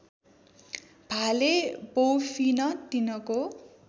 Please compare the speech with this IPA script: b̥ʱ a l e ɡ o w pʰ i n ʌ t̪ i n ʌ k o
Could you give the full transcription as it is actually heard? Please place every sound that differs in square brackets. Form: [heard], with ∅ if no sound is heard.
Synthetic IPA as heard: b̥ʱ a l e [b] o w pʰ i n ʌ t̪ i n ʌ k o

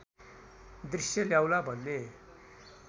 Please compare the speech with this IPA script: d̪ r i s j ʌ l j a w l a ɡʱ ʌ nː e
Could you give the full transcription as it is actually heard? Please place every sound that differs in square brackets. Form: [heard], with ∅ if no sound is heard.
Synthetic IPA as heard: d̪ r i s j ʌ l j a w l a [bʱ] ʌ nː e

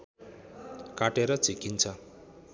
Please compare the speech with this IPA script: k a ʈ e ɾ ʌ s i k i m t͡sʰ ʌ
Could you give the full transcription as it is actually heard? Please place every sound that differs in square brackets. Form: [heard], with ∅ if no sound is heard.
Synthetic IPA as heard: k a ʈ e ɾ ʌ [t͡s] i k i [n] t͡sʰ ʌ

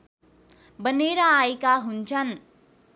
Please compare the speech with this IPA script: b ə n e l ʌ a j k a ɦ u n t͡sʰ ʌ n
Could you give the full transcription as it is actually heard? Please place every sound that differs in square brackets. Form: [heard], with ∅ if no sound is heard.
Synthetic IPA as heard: b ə n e [ɾ] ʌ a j k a ɦ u n t͡sʰ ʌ n

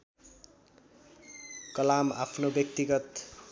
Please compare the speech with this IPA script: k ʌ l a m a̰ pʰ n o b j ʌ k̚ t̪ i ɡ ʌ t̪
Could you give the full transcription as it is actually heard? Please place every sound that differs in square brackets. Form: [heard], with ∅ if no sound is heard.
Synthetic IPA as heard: k ʌ l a m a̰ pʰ n o b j ʌ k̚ t̪ i ɡ ʌ t̪

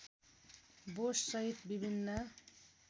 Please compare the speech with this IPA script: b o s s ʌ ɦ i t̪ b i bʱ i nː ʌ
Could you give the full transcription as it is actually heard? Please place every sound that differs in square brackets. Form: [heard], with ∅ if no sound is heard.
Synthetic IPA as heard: b o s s ʌ ɦ i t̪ b i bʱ i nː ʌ

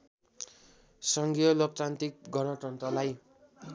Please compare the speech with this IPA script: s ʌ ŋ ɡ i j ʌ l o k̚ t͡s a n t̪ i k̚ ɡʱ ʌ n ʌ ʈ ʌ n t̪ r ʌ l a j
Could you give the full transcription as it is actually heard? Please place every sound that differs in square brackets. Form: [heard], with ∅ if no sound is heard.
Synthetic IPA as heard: s ʌ ŋ ɡ i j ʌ l o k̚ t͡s a n t̪ i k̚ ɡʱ ʌ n ʌ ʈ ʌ n t̪ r ʌ l a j

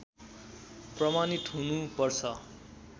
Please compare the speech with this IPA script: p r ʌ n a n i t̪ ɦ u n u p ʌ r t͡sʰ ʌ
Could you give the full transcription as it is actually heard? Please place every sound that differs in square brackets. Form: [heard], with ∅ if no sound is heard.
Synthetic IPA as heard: p r ʌ [m] a n i t̪ ɦ u n u p ʌ r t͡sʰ ʌ

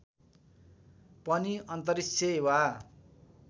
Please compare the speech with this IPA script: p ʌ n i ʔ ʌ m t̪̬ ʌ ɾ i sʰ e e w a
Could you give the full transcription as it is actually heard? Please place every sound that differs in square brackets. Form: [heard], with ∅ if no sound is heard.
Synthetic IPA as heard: p ʌ n i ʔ ʌ [n] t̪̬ ʌ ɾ i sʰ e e w a

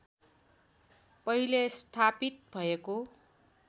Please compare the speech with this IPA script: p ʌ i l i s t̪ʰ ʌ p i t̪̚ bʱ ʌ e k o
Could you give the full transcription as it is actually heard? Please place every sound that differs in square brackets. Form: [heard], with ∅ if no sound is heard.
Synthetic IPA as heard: p ʌ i l [e] s t̪ʰ [a] p i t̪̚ bʱ ʌ e k o

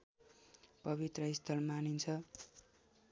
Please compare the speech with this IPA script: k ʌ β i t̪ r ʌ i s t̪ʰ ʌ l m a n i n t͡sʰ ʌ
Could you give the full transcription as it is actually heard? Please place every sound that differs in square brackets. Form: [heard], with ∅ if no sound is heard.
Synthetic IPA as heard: [p] ʌ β i t̪ r ʌ i s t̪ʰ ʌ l m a n i n t͡sʰ ʌ

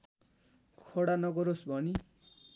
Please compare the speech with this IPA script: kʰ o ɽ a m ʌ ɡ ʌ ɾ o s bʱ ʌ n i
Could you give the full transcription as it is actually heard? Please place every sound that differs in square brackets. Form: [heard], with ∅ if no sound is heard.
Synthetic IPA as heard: kʰ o ɽ a [n] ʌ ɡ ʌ ɾ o s bʱ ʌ n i

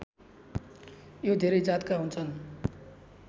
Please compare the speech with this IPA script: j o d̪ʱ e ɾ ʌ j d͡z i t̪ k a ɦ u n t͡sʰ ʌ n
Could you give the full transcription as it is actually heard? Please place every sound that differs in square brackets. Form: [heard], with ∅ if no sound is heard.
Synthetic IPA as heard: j o d̪ʱ e ɾ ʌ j d͡z [a] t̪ k a ɦ u n t͡sʰ ʌ n

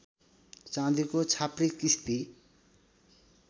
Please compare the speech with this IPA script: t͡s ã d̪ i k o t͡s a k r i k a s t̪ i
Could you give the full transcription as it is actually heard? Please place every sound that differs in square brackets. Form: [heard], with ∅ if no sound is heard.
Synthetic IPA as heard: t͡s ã d̪ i k o [t͡sʰ] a [p] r i k [i] s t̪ i

